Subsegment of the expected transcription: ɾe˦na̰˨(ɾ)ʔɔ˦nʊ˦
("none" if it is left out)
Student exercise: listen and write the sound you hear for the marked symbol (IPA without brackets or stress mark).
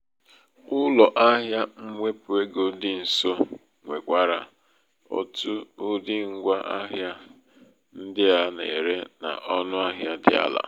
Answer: none